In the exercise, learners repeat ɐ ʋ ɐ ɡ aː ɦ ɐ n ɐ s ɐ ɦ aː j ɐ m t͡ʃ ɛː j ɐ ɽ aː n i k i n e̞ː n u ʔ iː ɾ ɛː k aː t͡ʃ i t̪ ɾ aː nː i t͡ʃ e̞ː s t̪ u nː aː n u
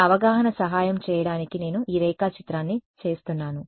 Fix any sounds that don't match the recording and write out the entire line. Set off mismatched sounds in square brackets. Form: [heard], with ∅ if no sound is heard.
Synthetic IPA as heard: ɐ ʋ ɐ ɡ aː ɦ ɐ n ɐ s ɐ ɦ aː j ɐ m t͡ʃ ɛː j ɐ ɽ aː n i k i n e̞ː n u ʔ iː ɾ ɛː k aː t͡ʃ i t̪ ɾ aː nː i t͡ʃ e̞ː s t̪ u nː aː n u